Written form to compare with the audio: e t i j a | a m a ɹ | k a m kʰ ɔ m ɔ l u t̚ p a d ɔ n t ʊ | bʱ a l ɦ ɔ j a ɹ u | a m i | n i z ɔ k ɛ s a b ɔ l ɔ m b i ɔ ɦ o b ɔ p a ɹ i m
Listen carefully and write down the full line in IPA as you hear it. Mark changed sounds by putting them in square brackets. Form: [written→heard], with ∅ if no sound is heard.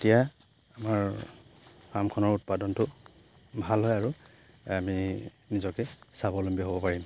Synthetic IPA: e t i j a | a m a ɹ | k a m kʰ ɔ [m→n] ɔ [l→ɹ] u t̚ p a d ɔ n t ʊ | bʱ a l ɦ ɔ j a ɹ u | a m i | n i z ɔ k ɛ s a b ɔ l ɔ m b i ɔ ɦ o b ɔ p a ɹ i m